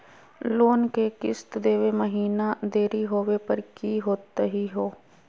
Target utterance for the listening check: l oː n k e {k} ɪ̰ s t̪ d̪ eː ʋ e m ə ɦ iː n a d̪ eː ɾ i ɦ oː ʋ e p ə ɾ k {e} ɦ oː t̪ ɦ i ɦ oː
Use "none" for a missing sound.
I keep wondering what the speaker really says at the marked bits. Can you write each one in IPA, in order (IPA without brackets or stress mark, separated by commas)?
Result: k, i